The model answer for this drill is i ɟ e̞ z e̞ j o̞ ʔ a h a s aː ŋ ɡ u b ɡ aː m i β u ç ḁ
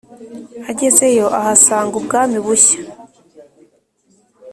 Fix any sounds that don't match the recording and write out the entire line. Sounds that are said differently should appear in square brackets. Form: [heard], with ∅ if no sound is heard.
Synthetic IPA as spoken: [a] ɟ e̞ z e̞ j o̞ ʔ a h a s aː ŋ ɡ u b ɡ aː m i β u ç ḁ